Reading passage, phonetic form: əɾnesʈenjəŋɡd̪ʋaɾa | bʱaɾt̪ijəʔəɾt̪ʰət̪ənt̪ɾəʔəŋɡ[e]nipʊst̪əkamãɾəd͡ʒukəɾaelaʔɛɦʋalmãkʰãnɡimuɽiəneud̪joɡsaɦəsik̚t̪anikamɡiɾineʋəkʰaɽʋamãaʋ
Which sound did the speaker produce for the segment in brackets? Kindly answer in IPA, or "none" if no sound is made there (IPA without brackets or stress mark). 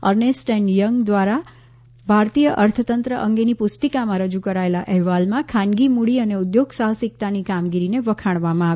e